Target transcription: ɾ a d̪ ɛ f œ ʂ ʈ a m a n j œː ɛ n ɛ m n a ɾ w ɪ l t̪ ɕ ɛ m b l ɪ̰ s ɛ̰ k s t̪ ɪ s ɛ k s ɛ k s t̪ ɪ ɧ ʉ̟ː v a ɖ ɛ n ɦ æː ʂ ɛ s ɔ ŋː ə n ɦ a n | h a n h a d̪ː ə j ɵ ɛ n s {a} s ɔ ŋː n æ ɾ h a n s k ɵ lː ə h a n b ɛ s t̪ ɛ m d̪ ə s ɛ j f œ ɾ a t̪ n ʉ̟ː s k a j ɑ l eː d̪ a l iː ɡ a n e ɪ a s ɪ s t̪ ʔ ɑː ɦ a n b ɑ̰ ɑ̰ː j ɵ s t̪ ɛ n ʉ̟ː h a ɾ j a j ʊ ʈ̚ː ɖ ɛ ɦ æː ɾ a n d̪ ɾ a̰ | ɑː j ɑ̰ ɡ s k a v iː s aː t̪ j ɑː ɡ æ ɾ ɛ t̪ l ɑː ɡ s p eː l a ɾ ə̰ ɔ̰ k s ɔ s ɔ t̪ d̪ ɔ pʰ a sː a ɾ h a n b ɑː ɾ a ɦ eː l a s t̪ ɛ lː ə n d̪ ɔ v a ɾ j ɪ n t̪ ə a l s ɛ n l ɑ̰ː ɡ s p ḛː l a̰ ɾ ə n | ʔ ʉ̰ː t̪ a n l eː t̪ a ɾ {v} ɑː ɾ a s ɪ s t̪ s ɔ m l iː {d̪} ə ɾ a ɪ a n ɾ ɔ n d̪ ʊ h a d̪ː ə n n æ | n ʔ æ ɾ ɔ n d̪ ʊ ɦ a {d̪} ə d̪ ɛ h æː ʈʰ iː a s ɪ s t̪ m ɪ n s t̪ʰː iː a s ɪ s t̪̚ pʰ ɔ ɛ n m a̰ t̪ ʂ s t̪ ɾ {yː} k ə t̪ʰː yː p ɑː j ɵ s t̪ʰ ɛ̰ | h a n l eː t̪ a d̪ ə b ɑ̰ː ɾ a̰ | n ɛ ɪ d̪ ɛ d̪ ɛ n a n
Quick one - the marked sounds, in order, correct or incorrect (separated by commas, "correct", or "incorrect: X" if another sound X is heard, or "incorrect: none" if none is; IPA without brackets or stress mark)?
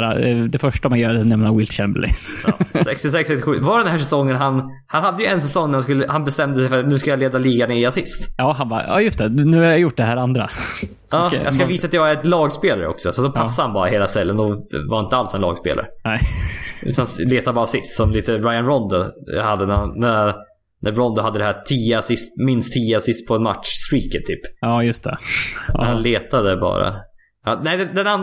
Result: incorrect: ɛ, incorrect: b, incorrect: t̪, incorrect: d̪ː, incorrect: iː